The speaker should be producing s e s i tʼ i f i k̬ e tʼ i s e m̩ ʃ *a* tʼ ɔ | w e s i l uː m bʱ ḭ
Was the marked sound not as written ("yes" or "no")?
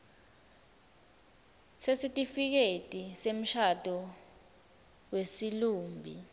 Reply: no